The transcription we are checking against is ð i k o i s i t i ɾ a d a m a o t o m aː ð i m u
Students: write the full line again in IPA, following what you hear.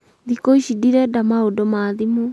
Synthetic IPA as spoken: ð i k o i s i d i ɾ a d a m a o d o m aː ð i m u